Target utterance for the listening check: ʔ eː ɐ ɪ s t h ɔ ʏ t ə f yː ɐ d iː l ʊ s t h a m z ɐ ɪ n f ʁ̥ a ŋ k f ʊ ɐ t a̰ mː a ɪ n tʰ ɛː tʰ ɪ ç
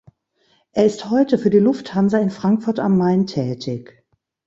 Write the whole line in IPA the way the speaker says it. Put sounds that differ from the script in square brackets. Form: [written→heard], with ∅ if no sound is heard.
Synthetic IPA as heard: ʔ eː ɐ ɪ s t h ɔ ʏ t ə f yː ɐ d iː l ʊ [s→f] t h a [m→n] z ɐ ɪ n f ʁ̥ a ŋ k f ʊ ɐ t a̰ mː a ɪ n tʰ ɛː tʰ ɪ ç